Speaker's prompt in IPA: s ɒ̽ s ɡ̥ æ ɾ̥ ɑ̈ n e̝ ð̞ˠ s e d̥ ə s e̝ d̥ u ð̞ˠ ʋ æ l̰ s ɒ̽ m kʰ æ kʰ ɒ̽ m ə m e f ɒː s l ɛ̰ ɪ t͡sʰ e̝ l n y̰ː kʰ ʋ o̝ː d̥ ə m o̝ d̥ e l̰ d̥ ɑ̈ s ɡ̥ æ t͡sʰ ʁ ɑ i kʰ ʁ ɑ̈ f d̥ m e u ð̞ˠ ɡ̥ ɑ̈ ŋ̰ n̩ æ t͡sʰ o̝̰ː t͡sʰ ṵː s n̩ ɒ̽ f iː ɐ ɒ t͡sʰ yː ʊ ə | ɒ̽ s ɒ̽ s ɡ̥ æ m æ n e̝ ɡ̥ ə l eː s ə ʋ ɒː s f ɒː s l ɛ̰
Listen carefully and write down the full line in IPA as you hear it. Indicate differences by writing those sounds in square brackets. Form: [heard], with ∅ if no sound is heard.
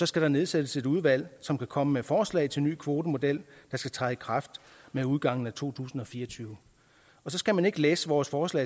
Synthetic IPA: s ɒ̽ s ɡ̥ æ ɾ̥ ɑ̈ n e̝ ð̞ˠ s e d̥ ə s e̝ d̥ u ð̞ˠ ʋ æ l̰ s ɒ̽ m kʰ æ kʰ ɒ̽ m ə m e f ɒː s l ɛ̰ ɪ t͡sʰ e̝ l n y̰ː kʰ ʋ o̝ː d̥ ə m o̝ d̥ e l̰ d̥ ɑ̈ s ɡ̥ æ t͡sʰ ʁ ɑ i kʰ ʁ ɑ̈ f d̥ m e u ð̞ˠ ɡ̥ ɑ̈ ŋ̰ n̩ æ t͡sʰ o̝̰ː t͡sʰ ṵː s n̩ ɒ̽ f iː ɐ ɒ t͡sʰ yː ʊ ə | ɒ̽ s ɒ̽ s ɡ̥ æ m æ n e̝ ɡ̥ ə l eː s ə ʋ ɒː s f ɒː s l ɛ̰